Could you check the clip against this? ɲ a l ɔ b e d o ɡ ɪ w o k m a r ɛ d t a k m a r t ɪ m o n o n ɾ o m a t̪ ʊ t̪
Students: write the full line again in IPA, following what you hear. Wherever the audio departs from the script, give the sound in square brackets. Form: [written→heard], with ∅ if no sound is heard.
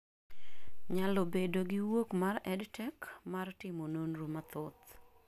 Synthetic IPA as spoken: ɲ a l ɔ b e d o ɡ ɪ w o k m a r ɛ d t [a→ɛ] k m a r t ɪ m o n o n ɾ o m a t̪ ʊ t̪